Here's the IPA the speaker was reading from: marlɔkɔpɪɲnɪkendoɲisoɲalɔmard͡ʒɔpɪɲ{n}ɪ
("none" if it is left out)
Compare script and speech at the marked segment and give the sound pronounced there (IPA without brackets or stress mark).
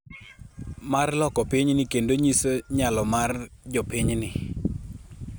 n